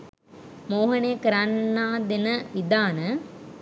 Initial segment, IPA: m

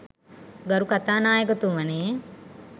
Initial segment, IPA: ɡ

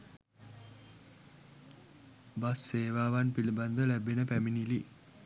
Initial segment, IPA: b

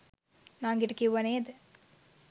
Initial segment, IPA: n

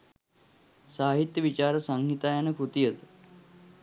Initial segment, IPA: s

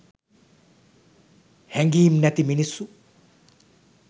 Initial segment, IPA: h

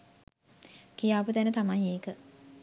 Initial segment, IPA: k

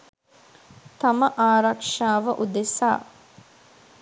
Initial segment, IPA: t̪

